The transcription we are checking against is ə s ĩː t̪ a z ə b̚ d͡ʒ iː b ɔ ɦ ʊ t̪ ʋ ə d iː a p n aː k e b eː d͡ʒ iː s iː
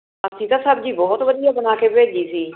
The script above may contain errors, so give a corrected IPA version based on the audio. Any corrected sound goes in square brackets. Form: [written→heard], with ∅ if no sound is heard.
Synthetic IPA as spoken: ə s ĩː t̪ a [z→s] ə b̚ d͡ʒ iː b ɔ ɦ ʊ t̪ ʋ ə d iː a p n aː k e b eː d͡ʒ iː s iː

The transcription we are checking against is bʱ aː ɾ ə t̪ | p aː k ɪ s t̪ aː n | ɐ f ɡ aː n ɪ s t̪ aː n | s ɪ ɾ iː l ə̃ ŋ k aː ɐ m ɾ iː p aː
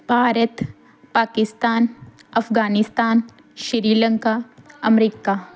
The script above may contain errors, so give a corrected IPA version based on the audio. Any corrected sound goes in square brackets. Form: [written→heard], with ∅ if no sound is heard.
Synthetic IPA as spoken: bʱ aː ɾ ə t̪ | p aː k ɪ s t̪ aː n | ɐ f ɡ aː n ɪ s t̪ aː n | [s→ʃ] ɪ ɾ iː l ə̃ ŋ k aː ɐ m ɾ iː [p→k] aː

